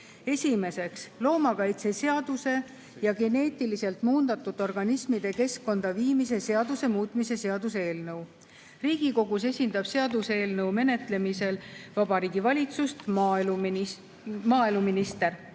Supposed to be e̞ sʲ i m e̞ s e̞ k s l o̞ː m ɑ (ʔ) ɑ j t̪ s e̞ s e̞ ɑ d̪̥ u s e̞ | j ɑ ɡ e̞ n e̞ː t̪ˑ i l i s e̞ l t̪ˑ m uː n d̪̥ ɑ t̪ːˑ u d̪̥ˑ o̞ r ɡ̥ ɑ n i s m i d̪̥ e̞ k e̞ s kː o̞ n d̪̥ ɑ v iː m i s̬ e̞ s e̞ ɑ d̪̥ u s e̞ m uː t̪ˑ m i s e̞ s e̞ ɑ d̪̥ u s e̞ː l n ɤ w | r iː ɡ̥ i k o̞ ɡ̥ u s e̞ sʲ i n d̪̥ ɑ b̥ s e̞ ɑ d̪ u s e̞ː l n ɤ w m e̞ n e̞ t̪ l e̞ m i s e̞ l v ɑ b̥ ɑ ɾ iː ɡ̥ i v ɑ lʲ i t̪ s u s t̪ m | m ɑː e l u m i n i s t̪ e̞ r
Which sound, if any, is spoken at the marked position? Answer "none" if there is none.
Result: k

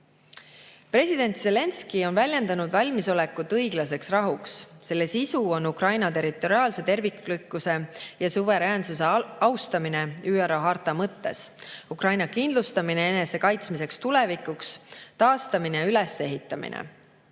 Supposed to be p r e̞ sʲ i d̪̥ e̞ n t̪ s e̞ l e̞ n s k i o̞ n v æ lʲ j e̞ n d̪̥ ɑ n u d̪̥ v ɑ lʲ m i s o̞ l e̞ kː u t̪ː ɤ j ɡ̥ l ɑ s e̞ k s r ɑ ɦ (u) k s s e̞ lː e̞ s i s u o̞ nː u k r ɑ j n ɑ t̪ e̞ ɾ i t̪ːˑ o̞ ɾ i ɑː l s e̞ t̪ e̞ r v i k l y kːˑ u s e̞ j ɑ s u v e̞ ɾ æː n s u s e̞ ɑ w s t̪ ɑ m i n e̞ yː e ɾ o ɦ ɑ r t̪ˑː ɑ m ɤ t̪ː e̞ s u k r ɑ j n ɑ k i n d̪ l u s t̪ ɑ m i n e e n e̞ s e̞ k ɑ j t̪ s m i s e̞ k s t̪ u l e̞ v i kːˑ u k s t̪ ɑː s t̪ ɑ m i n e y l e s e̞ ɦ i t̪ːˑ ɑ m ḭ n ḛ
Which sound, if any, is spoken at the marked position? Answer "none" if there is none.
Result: u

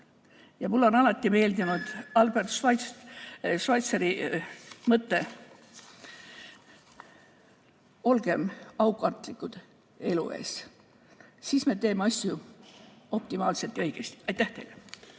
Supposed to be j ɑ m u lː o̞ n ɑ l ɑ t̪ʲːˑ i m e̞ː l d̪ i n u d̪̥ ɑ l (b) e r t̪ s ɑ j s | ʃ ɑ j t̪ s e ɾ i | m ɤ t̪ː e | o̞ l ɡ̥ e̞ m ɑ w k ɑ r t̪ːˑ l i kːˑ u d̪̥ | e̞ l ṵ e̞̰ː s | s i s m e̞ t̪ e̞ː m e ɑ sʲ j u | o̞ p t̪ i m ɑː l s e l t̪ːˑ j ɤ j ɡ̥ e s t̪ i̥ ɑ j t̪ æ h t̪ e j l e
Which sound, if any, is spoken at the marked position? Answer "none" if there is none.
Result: b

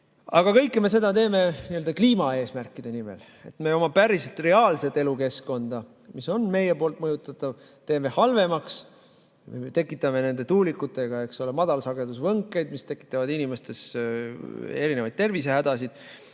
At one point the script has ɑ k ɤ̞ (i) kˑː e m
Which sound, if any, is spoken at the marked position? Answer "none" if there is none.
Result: j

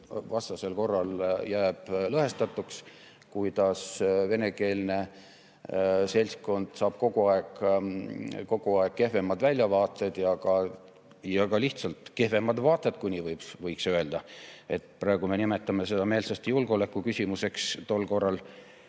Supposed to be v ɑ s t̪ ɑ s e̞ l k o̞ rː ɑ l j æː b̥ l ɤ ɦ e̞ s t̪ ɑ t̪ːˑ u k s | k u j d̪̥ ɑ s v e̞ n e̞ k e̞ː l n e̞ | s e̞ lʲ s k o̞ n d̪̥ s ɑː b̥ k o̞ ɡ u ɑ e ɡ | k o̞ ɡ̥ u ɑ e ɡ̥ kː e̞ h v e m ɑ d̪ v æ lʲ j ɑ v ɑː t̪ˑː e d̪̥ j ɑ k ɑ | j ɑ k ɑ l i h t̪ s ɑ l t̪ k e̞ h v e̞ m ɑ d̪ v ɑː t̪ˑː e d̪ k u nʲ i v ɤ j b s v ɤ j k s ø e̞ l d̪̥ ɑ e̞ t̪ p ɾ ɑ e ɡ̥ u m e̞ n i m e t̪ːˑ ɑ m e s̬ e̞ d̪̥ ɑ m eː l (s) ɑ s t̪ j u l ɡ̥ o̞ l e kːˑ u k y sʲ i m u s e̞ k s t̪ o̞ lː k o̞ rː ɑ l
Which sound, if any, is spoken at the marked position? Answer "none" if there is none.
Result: s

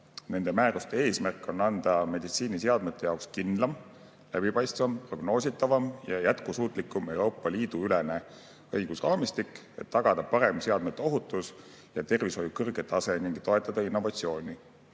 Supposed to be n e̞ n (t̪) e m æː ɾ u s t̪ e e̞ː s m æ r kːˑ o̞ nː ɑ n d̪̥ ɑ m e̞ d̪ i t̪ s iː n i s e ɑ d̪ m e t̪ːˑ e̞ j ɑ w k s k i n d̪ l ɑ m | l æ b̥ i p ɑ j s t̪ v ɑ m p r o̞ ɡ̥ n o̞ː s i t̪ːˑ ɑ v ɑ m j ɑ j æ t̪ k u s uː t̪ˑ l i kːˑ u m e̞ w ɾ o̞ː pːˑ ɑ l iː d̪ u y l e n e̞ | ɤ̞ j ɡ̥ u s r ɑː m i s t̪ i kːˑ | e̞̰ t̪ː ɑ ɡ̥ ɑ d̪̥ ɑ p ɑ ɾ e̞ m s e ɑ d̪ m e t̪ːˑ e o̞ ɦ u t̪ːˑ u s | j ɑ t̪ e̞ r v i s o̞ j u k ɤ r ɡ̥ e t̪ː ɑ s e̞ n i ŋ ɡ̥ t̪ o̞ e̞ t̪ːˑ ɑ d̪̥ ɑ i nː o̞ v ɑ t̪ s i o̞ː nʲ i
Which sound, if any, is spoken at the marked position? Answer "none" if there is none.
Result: d̪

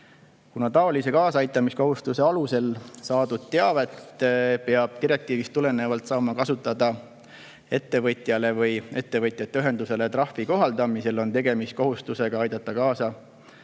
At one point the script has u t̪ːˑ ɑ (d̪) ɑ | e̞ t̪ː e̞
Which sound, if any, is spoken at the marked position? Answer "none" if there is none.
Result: d̪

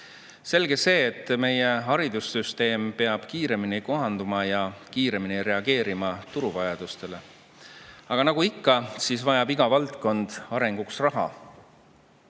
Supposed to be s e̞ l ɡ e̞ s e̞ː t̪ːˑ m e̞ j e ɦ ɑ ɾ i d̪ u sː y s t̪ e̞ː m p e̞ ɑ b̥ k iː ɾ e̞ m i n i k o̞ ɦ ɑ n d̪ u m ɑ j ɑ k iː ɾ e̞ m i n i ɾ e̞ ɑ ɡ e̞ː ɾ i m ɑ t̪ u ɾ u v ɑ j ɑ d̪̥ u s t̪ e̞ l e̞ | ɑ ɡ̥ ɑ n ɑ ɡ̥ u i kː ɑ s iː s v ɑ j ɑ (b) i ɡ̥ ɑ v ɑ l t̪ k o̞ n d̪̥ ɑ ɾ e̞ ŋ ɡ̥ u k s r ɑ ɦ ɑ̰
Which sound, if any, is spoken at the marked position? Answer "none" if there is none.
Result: b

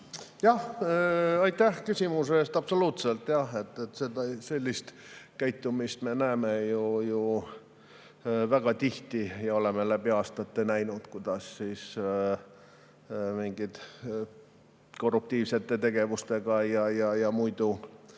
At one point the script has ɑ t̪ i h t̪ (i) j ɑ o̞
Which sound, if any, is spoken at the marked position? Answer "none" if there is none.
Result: i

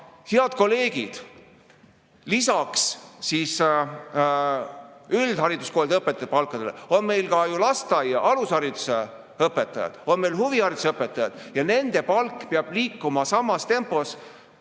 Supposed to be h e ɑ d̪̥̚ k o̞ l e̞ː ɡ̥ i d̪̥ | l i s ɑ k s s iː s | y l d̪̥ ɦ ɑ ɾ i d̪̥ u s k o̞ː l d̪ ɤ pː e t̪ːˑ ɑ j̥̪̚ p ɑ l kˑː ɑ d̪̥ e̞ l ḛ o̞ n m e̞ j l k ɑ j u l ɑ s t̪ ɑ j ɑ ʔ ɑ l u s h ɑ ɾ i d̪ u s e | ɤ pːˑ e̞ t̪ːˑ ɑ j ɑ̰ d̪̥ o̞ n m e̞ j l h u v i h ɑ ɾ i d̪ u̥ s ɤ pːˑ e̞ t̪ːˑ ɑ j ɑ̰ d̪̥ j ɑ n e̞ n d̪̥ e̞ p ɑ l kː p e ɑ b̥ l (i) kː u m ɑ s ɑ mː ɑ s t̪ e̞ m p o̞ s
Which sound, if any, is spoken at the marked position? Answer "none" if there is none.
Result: iː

